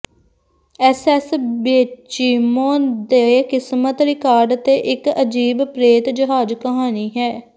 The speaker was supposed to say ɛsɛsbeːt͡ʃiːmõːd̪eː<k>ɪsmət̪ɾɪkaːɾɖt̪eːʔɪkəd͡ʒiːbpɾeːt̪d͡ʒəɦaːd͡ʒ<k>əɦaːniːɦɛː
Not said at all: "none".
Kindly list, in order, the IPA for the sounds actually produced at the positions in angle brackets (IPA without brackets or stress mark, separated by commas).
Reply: k, k